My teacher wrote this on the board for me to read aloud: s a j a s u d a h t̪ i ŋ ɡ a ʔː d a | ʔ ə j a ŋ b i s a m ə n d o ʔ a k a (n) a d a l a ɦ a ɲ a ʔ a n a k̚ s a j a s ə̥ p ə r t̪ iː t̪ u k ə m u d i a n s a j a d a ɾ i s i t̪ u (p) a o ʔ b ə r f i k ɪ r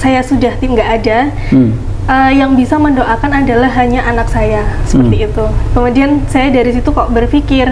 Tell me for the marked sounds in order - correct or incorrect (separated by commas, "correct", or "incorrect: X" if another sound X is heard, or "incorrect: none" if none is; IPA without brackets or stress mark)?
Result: correct, incorrect: k